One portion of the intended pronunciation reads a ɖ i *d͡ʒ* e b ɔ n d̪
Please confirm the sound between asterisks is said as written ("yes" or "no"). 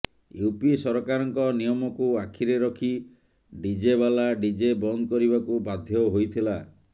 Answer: yes